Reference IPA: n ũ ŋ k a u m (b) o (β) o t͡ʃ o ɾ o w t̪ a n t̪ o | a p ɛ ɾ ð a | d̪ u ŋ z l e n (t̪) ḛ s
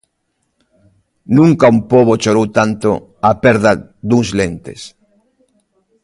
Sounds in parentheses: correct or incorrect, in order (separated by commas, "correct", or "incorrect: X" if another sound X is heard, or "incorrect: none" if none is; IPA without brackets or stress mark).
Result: incorrect: p, correct, correct